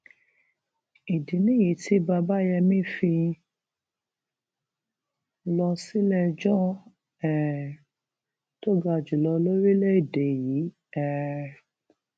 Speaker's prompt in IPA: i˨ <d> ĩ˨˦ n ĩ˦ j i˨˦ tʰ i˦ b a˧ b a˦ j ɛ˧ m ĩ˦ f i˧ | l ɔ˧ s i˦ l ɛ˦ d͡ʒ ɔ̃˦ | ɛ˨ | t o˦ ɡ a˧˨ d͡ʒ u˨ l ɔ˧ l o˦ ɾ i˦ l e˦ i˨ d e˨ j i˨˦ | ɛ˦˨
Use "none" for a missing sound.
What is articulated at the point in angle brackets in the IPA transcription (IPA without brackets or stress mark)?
d